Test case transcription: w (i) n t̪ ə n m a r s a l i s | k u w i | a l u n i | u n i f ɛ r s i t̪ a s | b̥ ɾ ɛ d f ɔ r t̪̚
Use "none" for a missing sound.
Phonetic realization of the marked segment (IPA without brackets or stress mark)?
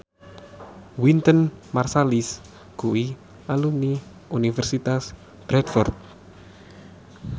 i